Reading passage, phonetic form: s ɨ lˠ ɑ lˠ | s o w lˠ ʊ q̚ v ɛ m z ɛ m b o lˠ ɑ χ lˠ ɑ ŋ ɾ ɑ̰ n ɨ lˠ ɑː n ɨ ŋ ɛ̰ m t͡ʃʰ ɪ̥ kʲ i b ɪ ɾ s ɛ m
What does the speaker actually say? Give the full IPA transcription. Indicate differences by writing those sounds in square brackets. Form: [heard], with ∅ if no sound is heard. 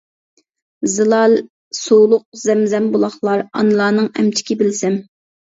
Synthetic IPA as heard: [z] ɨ lˠ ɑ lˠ | s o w lˠ ʊ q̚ [z] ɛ m z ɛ m b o lˠ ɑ χ lˠ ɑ [∅] ɾ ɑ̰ n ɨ lˠ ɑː n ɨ ŋ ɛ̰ m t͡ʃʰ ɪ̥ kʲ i b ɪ [l] s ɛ m